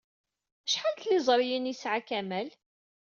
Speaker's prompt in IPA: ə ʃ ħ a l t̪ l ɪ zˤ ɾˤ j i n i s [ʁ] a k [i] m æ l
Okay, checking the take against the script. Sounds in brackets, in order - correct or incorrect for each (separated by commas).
incorrect, incorrect